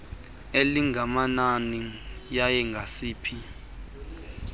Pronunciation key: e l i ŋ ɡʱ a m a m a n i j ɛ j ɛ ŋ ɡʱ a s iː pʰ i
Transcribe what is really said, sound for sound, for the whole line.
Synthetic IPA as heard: e l i ŋ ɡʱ a m a n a n i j a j ɛ ŋ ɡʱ a s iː pʰ i